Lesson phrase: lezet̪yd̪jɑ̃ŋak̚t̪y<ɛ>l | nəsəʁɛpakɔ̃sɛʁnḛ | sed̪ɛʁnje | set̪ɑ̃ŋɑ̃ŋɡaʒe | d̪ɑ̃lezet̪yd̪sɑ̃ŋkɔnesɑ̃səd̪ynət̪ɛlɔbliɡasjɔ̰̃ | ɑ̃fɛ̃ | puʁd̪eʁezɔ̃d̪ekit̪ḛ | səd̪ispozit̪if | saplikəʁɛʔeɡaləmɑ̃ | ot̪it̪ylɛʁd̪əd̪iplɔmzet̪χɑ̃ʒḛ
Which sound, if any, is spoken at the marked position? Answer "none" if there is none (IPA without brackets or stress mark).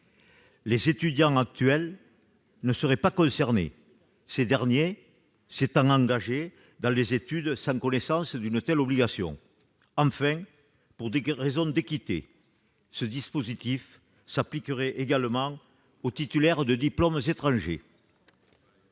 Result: ɛ